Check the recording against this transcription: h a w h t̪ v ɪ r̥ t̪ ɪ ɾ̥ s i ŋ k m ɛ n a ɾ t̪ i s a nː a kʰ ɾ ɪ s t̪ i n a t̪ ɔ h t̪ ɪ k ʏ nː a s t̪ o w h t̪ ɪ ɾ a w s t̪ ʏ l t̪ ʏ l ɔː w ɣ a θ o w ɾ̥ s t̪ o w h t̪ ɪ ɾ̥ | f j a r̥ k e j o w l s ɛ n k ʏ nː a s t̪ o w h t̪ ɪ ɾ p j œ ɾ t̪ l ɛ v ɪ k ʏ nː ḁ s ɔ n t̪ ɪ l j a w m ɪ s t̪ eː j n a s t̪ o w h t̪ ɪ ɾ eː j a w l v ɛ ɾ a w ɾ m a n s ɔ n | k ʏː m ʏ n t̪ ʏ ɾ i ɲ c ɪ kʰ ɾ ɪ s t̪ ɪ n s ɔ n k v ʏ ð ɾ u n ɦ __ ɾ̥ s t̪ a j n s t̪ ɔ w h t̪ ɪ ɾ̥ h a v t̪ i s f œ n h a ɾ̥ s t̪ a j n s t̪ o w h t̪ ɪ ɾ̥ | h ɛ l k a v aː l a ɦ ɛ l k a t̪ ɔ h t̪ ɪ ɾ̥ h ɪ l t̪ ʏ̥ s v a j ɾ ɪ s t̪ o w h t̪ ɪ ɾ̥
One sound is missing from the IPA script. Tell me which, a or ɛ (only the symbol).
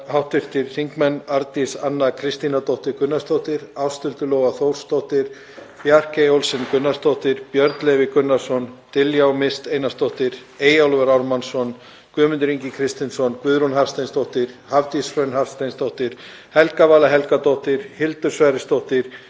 a